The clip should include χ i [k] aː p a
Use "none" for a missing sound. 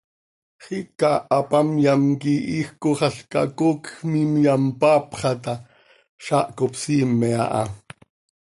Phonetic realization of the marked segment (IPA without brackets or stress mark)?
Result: k